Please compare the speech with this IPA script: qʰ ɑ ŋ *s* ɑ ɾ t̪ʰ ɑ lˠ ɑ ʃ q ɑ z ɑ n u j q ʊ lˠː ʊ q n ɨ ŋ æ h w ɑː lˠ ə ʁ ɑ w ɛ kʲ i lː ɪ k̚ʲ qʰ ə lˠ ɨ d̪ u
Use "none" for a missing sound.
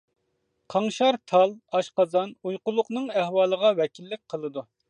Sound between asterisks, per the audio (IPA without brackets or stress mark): ʃ